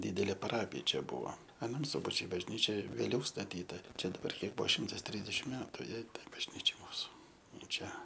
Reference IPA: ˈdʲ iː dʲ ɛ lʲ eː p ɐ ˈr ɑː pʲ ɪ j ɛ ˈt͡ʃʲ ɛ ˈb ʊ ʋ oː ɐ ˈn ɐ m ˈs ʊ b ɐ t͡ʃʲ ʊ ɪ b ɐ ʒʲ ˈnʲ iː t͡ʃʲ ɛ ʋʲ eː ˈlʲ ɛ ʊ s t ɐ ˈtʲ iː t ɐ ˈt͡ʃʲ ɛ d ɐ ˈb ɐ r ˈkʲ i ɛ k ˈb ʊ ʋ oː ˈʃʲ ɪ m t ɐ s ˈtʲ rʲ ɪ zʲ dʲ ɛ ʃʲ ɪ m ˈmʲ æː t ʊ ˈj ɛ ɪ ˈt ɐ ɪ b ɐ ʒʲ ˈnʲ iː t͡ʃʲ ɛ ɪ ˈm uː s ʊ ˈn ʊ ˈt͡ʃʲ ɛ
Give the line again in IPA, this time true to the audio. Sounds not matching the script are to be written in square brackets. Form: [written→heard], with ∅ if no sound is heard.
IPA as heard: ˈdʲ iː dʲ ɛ lʲ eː p ɐ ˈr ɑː pʲ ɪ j ɛ ˈt͡ʃʲ ɛ ˈb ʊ ʋ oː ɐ ˈn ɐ m ˈs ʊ b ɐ t͡ʃʲ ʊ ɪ b ɐ ʒʲ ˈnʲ iː t͡ʃʲ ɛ ʋʲ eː ˈlʲ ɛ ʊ s t ɐ ˈtʲ iː t ɐ ˈt͡ʃʲ ɛ d ɐ ˈb ɐ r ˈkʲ i ɛ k ˈb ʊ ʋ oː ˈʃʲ ɪ m t ɐ s ˈtʲ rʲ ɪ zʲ dʲ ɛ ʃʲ ɪ m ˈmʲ æː t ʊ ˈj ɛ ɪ ˈt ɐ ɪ b ɐ ʒʲ ˈnʲ iː t͡ʃʲ ɛ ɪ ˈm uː s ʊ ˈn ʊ ˈt͡ʃʲ ɛ